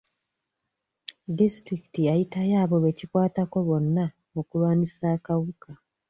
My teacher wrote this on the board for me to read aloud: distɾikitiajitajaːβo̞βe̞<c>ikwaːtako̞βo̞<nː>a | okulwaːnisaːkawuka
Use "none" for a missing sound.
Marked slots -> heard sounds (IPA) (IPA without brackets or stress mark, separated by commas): c, nː